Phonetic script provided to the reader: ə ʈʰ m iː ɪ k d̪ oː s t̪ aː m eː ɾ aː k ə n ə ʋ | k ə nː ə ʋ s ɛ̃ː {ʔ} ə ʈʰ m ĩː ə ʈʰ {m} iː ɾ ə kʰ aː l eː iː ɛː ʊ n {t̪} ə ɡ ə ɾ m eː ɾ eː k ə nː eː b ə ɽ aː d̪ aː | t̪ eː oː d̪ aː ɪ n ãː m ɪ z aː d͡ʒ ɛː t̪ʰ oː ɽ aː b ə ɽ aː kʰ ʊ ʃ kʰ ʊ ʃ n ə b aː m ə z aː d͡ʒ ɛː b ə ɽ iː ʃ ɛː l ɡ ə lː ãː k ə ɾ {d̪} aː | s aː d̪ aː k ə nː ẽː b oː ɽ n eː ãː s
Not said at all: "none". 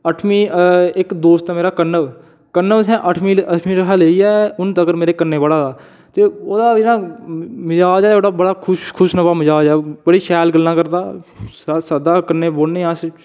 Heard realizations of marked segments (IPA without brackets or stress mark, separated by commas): ʔ, m, t̪, d̪